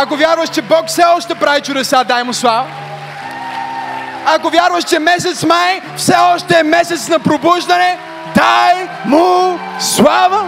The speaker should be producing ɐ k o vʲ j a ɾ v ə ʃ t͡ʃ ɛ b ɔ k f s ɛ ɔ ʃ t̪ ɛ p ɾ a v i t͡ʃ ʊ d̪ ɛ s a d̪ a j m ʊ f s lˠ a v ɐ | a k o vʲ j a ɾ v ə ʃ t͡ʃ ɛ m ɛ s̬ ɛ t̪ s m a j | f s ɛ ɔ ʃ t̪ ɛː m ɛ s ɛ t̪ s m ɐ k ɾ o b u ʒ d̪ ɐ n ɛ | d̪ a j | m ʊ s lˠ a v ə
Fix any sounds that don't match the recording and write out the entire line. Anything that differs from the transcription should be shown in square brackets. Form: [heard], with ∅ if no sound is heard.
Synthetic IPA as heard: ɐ k o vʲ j a ɾ v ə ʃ t͡ʃ ɛ b ɔ k f s ɛ ɔ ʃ t̪ ɛ p ɾ a v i t͡ʃ ʊ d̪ ɛ s a d̪ a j m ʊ [∅] s lˠ a v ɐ | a k o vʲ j a ɾ v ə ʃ t͡ʃ ɛ m ɛ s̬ ɛ t̪ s m a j | f s ɛ ɔ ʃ t̪ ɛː m ɛ s ɛ t̪ s [n] ɐ [p] ɾ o b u ʒ d̪ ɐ n ɛ | d̪ a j | m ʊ s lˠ a v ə